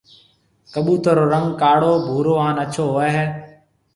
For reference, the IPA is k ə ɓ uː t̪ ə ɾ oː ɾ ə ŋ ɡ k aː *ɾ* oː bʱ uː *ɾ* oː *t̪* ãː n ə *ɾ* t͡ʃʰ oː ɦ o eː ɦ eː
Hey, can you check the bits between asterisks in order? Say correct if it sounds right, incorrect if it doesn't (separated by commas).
incorrect, correct, incorrect, incorrect